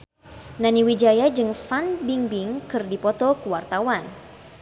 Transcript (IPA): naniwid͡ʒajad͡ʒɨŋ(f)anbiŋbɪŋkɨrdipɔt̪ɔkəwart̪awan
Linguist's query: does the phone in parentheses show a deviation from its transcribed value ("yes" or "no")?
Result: no